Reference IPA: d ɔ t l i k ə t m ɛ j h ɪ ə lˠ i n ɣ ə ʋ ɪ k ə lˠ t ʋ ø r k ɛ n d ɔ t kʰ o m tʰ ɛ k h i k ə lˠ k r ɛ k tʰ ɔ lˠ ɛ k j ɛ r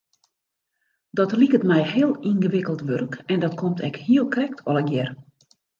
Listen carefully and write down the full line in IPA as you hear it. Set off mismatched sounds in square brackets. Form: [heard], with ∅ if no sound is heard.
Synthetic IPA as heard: d ɔ t l i k ə t m ɛ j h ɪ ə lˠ i n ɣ ə ʋ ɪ k ə lˠ t ʋ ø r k ɛ n d ɔ t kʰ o m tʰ ɛ k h i [∅] ə lˠ k r ɛ k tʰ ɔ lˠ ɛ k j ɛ r